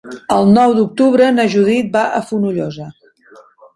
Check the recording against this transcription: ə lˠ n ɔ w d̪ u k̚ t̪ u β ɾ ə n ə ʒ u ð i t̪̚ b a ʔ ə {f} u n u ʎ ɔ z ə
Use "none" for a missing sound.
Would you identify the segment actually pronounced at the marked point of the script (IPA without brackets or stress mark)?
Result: f